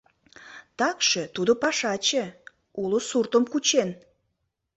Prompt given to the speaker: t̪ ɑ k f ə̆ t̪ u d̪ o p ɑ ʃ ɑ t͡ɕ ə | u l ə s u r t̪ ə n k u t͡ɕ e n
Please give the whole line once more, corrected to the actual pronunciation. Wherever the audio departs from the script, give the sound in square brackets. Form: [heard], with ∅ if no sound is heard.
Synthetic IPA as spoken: t̪ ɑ k [ʃ] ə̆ t̪ u d̪ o p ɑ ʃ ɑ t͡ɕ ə | u l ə s u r t̪ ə [m] k u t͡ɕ e n